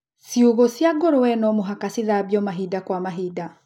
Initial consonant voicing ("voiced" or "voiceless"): voiceless